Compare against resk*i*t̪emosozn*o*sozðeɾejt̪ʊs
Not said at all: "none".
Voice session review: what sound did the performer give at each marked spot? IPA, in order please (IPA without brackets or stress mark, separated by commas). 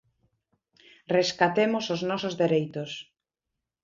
a, ɔ